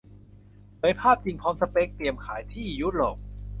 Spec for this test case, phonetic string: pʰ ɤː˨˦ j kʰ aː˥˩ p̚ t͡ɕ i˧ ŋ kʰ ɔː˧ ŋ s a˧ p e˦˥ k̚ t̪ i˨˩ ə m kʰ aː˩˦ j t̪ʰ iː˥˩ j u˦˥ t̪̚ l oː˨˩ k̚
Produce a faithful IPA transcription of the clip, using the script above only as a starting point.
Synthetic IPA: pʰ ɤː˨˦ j pʰ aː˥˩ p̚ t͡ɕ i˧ ŋ pʰ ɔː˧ m s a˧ p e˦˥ k̚ t̪ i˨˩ ə m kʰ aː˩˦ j t̪ʰ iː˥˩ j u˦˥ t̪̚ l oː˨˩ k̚